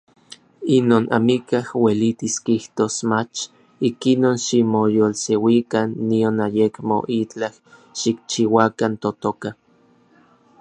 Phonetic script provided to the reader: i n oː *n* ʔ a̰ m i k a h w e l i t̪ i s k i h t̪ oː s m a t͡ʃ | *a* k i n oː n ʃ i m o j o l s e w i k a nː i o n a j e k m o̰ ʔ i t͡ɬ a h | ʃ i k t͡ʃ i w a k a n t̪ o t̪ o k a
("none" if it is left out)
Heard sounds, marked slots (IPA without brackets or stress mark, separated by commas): n, i